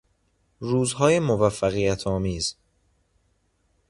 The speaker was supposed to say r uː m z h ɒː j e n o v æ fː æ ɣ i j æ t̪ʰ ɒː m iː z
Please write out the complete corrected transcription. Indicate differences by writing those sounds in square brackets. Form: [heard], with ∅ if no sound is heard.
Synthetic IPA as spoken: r uː [∅] z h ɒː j e [m] o v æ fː æ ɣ i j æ t̪ʰ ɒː m iː z